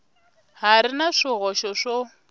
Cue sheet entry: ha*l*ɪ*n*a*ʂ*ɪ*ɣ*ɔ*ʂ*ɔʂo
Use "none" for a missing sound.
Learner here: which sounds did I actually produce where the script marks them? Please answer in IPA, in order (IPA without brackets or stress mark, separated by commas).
ɾ, n, ʂ, ɣ, ʃ